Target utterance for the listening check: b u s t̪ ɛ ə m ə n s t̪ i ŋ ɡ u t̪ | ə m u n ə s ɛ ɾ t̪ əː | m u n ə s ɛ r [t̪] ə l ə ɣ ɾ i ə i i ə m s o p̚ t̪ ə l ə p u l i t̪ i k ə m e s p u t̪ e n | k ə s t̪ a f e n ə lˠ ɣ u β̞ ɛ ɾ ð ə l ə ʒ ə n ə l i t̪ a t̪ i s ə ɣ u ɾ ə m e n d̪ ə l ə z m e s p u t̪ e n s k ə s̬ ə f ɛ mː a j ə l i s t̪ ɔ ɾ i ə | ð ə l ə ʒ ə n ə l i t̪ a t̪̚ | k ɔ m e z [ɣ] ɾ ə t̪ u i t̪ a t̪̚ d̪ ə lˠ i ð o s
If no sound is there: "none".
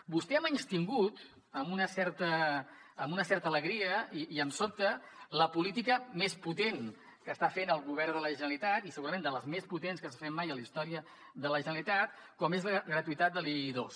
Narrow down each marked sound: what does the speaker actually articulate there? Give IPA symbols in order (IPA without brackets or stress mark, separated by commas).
t̪, ɣ